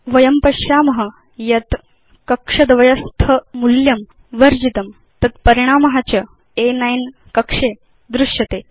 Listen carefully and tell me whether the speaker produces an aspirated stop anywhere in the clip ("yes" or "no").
yes